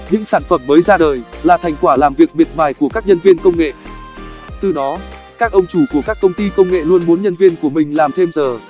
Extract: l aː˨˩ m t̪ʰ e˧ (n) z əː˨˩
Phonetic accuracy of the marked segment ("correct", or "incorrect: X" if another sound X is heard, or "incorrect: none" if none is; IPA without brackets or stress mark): incorrect: m